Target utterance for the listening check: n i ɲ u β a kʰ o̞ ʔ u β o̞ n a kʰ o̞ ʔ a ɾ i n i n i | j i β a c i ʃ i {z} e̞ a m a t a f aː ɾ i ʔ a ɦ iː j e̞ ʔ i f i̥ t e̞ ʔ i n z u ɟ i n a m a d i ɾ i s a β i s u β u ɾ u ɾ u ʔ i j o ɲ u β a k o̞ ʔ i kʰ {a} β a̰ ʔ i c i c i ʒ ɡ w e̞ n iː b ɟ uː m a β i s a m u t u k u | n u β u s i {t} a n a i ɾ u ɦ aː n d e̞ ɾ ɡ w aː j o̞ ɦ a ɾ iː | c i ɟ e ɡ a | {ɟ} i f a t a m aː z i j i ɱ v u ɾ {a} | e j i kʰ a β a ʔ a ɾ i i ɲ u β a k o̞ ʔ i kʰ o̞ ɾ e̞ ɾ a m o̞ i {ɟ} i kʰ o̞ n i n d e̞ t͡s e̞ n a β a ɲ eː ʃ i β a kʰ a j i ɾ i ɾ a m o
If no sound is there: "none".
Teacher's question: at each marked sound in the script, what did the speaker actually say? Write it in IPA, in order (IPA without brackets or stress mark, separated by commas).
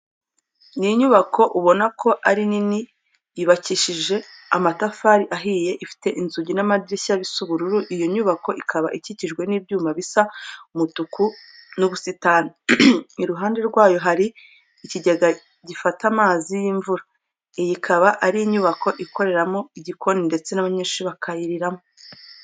ʒ, a, t, ɟ, a, ɟ